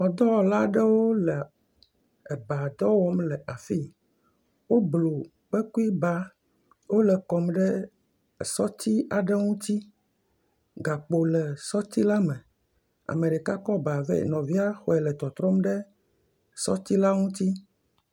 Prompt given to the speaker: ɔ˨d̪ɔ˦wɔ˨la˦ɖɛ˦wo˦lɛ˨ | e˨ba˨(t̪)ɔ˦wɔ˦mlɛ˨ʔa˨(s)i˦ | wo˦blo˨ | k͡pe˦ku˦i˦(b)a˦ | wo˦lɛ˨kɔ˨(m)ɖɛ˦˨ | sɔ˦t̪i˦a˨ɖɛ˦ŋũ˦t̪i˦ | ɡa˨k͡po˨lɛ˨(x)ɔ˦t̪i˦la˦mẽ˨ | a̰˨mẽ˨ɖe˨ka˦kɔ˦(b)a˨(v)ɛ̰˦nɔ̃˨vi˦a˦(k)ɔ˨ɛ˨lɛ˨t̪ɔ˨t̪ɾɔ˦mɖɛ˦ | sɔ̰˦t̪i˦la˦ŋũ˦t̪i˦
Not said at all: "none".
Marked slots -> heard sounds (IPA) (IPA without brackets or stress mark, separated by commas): d̪, f, b, m, s, b, v, x